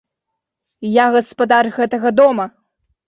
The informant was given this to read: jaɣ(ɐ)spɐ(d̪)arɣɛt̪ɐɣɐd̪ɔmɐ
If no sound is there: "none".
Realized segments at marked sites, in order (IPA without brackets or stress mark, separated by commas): ɐ, d̪